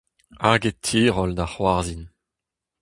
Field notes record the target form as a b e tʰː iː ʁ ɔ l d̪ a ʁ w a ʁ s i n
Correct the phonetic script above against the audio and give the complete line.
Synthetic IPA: a ɡ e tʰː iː ʁ ɔ l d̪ a χ w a ʁ z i n